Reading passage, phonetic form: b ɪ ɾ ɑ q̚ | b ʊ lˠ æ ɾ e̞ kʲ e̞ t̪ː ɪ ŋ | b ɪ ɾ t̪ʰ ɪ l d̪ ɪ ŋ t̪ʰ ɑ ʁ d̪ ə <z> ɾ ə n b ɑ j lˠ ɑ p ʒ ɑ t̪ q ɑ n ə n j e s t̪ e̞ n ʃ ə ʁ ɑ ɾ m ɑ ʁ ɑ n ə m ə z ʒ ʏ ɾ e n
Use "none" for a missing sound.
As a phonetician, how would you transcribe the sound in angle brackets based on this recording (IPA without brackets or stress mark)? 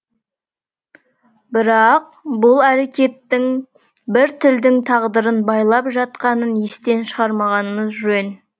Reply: none